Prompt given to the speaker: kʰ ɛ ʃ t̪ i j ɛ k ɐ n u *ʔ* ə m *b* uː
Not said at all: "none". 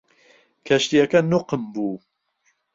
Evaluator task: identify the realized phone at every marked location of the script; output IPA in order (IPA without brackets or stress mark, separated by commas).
q, b